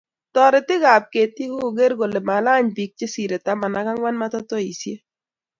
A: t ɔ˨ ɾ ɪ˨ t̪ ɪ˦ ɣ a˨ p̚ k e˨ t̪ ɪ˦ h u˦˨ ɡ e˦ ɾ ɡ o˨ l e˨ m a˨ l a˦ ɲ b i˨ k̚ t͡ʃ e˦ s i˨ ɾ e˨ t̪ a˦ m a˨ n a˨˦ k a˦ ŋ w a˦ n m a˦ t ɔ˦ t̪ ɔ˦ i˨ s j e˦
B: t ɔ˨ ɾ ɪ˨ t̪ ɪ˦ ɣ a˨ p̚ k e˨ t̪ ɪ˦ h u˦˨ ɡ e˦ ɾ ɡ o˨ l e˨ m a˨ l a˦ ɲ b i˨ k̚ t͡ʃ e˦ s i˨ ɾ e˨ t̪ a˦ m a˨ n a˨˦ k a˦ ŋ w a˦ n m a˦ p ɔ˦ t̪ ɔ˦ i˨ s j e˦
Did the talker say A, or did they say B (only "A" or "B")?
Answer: A